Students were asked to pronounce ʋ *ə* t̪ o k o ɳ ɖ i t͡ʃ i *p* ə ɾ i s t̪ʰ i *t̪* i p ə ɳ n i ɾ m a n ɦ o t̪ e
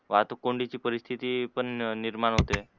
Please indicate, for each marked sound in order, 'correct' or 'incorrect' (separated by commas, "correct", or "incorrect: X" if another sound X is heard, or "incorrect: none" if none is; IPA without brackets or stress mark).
incorrect: a, correct, correct